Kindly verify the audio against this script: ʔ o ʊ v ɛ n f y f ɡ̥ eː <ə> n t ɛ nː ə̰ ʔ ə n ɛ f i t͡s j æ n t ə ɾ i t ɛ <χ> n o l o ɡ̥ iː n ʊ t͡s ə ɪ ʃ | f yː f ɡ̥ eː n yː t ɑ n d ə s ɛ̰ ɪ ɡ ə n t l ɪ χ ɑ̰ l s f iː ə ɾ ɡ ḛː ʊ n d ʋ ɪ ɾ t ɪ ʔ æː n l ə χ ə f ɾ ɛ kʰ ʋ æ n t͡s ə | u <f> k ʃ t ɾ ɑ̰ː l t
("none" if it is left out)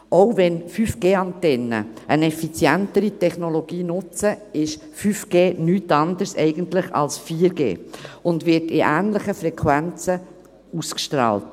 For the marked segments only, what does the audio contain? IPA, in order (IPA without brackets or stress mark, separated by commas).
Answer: ɑ, χ, s